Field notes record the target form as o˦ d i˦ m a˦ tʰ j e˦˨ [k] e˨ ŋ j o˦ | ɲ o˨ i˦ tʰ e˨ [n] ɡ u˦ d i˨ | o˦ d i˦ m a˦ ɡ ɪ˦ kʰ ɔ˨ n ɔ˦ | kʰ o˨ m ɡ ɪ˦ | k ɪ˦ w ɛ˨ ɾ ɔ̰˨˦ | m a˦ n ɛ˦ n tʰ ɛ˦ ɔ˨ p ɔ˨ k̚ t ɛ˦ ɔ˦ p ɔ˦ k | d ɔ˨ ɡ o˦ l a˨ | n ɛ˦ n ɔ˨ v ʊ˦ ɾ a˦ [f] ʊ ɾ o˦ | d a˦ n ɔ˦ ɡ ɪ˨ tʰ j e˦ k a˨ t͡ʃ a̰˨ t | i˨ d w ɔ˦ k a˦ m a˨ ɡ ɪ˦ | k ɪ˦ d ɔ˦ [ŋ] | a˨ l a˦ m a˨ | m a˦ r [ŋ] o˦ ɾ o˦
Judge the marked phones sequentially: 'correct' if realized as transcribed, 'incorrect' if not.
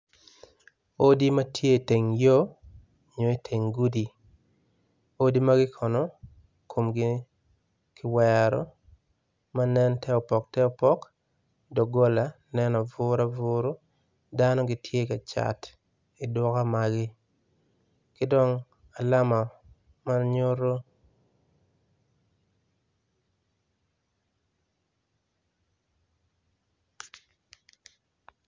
incorrect: t, incorrect: ŋ, incorrect: v, correct, incorrect: ɲ

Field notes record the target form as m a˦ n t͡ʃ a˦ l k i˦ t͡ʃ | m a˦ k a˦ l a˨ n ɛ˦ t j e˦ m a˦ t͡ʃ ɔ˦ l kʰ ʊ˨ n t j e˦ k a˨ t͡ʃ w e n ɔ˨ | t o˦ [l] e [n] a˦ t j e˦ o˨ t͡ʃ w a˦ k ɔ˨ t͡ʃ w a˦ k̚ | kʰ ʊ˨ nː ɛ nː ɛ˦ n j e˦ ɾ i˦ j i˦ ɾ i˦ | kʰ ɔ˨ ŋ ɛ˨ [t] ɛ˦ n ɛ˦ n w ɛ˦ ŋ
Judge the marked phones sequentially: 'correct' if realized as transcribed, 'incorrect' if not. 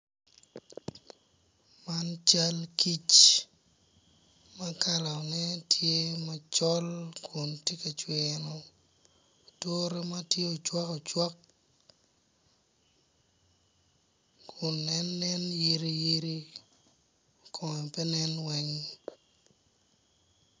incorrect: ɾ, incorrect: m, incorrect: p

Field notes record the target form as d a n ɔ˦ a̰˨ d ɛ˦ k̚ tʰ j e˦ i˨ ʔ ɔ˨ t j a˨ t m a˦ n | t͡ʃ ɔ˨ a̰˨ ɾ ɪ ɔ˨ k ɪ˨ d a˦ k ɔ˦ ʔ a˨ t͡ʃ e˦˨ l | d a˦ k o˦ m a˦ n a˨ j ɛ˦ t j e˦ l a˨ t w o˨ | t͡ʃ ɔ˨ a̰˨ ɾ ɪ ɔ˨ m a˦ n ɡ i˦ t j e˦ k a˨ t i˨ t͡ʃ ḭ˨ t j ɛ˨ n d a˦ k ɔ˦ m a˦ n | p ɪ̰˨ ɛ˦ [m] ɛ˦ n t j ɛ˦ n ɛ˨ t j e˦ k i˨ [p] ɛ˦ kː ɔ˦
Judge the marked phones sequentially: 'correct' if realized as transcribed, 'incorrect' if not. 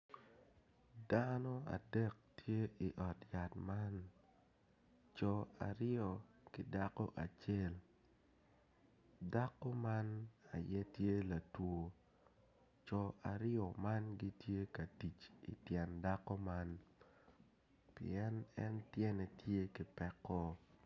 incorrect: n, correct

